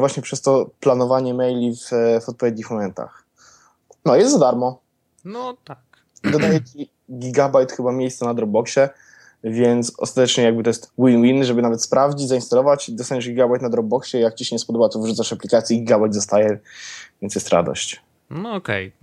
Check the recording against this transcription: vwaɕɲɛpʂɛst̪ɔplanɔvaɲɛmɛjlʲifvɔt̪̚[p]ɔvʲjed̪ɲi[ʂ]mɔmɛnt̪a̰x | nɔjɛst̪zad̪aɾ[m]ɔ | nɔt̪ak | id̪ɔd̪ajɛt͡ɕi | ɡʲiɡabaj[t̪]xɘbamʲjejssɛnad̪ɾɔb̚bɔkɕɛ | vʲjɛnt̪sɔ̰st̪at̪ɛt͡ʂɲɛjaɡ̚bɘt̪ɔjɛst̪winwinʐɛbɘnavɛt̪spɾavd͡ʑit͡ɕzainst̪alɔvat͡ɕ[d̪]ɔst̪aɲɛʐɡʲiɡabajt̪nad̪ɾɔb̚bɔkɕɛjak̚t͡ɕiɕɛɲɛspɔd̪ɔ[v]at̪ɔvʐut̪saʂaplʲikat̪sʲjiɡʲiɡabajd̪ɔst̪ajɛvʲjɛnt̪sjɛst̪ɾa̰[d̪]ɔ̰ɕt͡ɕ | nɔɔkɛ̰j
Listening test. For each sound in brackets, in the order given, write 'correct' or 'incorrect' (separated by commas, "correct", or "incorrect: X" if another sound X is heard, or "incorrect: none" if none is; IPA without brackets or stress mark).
correct, incorrect: x, correct, correct, correct, incorrect: b, correct